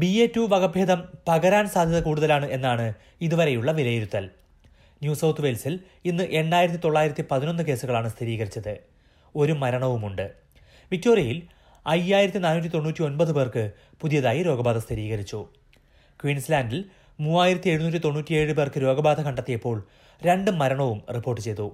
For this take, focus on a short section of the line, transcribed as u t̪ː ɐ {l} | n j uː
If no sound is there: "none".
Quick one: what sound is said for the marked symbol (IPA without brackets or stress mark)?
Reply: l